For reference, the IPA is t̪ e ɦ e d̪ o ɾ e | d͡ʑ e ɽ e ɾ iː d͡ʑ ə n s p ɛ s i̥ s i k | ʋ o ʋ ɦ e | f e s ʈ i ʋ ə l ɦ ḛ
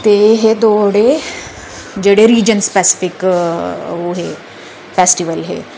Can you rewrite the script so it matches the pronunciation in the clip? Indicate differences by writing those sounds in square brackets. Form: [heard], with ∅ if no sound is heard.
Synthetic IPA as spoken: t̪ e ɦ e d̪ o [ɽ] e | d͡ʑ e ɽ e ɾ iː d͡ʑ ə n s p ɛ s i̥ [f] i k | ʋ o [∅] ɦ e | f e s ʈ i ʋ ə l ɦ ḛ